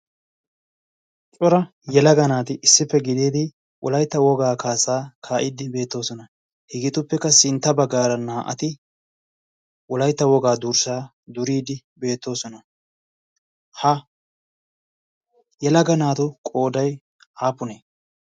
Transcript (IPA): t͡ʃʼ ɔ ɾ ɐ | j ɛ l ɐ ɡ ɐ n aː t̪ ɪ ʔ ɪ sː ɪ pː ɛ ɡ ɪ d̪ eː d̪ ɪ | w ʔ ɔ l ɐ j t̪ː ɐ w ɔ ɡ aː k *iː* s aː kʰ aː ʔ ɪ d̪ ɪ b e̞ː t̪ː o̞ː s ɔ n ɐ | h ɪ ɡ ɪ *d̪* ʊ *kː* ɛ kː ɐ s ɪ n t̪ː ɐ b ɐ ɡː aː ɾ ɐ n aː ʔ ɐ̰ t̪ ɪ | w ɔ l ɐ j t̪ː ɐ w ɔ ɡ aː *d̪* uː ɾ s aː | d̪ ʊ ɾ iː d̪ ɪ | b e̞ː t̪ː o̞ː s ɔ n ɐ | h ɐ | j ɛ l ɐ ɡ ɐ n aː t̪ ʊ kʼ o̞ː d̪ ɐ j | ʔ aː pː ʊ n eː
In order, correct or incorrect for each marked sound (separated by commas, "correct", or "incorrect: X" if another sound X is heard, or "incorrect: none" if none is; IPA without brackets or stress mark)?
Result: incorrect: aː, incorrect: t̪, incorrect: pː, correct